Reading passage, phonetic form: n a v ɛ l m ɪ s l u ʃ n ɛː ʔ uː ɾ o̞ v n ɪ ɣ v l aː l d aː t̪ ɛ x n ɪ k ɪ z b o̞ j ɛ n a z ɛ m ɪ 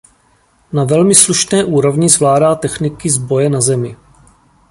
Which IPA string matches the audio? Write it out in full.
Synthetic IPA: n a v ɛ l m ɪ s l u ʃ n ɛː ʔ uː ɾ o̞ v ɲ ɪ z v l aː d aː t̪ ɛ x n ɪ k ɪ z b o̞ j ɛ n a z ɛ m ɪ

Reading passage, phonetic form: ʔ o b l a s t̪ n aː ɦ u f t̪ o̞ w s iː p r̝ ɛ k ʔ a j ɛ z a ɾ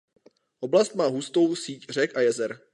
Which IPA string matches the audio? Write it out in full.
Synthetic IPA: ʔ o b l a s t̪ m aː ɦ u s t̪ o̞ w s iː c r̝ ɛ k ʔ a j ɛ z ɛ ɾ

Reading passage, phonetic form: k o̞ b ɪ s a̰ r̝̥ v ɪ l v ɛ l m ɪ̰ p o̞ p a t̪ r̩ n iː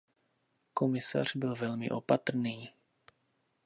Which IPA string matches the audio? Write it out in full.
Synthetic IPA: k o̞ m ɪ s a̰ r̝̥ b ɪ l v ɛ l m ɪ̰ ʔ o̞ p a t̪ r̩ n iː

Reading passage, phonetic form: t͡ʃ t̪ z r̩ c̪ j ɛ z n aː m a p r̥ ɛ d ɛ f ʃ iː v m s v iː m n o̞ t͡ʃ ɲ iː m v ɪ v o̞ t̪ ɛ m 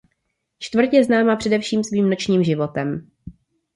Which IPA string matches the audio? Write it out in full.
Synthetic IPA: t͡ʃ t̪ v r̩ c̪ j ɛ z n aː m a p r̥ ɛ d ɛ f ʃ iː m s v iː m n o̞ t͡ʃ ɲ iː m ʒ ɪ v o̞ t̪ ɛ m

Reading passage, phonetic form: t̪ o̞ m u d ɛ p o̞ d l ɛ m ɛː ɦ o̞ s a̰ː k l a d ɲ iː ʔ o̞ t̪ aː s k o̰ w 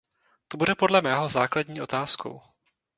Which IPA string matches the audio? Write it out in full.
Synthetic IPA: t̪ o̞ b u d ɛ p o̞ d l ɛ m ɛː ɦ o̞ z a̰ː k l a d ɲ iː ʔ o̞ t̪ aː s k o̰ w

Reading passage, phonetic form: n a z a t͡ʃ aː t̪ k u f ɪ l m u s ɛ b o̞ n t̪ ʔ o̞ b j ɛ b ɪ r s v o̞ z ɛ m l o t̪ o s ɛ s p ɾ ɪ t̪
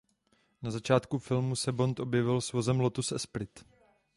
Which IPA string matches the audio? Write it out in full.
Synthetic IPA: n a z a t͡ʃ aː t̪ k u f ɪ l m u s ɛ b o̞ n t̪ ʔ o̞ b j ɛ v ɪ l s v o̞ z ɛ m l o t̪ u s ɛ s p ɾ ɪ t̪

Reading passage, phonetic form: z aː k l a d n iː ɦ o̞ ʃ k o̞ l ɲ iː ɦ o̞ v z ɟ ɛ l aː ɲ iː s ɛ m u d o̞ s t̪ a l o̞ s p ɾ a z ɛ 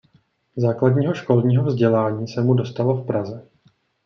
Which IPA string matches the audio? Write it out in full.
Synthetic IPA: z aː k l a d ɲ iː ɦ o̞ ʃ k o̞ l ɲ iː ɦ o̞ v z ɟ ɛ l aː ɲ iː s ɛ m u d o̞ s t̪ a l o̞ f p ɾ a z ɛ

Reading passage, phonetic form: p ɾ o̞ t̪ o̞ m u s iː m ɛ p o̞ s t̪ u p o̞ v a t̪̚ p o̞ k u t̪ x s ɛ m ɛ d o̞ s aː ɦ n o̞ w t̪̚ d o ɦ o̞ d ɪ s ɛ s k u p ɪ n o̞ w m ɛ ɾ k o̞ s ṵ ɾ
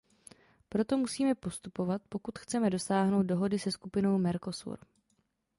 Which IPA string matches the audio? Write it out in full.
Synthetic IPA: p ɾ o̞ t̪ o̞ m u s iː m ɛ p o̞ s t̪ u p o̞ v a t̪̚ p o̞ k u t̪ x t͡s ɛ m ɛ d o̞ s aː ɦ n o̞ w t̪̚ d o ɦ o̞ d ɪ s ɛ s k u p ɪ n o̞ w m ɛ ɾ k o̞ s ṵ ɾ

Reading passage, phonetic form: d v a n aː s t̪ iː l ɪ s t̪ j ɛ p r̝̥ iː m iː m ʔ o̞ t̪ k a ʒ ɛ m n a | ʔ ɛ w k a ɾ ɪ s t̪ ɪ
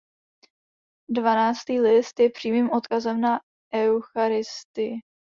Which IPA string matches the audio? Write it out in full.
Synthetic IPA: d v a n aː t͡s t̪ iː l ɪ s t̪ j ɛ p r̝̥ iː m iː m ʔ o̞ t̪ k a z ɛ m n a | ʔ ɛ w x a ɾ ɪ s t̪ ɪ

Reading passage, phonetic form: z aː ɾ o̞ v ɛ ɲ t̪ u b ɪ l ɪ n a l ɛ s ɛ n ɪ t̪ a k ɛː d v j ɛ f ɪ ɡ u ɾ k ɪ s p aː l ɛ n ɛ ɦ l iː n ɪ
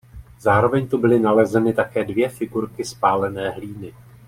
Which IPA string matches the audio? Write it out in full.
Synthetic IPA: z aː ɾ o̞ v ɛ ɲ t̪ u b ɪ l ɪ n a l ɛ z ɛ n ɪ t̪ a k ɛː d v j ɛ f ɪ ɡ u ɾ k ɪ s p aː l ɛ n ɛː ɦ l iː n ɪ

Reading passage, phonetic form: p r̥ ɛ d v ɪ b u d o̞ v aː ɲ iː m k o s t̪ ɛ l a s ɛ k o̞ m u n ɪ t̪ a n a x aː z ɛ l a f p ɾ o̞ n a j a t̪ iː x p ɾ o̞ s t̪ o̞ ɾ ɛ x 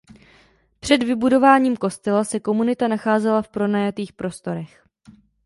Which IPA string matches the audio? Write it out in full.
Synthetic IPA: p r̥ ɛ d v ɪ b u d o̞ v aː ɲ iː m k o s t̪ ɛ l a s ɛ k o̞ m u n ɪ t̪ a n a x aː z ɛ l a f p ɾ o̞ n a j a t̪ iː x p ɾ o̞ s t̪ o̞ ɾ ɛ x

